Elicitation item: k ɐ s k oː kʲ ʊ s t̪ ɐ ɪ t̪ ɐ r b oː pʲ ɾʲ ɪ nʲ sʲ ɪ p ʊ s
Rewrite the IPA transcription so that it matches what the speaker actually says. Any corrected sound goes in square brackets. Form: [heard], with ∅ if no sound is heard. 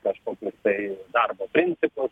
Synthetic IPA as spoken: k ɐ [ʃ] k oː kʲ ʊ s t̪ ɐ ɪ [d̪] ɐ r b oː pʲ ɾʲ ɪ nʲ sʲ ɪ p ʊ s

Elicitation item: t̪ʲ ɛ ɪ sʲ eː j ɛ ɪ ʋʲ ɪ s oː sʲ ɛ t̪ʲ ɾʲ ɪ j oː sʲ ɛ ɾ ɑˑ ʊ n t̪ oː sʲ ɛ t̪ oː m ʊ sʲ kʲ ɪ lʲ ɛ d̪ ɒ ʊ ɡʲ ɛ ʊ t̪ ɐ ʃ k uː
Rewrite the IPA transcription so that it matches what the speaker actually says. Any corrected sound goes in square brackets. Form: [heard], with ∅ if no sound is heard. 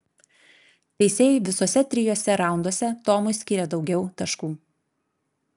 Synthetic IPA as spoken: t̪ʲ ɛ ɪ sʲ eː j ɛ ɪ ʋʲ ɪ s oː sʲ ɛ t̪ʲ ɾʲ ɪ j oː sʲ ɛ ɾ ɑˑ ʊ n [d̪] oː sʲ ɛ t̪ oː m ʊ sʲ kʲ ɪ [ɾʲ] ɛ d̪ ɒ ʊ ɡʲ ɛ ʊ t̪ ɐ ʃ k uː

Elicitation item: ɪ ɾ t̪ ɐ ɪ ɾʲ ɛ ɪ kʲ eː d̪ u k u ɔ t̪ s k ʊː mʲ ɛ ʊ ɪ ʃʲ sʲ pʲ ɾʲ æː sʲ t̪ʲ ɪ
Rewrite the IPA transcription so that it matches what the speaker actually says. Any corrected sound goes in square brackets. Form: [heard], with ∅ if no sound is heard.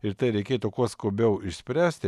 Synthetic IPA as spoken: ɪ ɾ t̪ ɐ ɪ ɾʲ ɛ ɪ kʲ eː [t̪] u k u ɔ [∅] s k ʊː [bʲ] ɛ ʊ ɪ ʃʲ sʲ pʲ ɾʲ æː sʲ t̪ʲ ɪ

